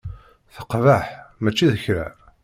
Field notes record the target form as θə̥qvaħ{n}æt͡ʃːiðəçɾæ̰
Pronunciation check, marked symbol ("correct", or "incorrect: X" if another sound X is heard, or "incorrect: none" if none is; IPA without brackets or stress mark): incorrect: m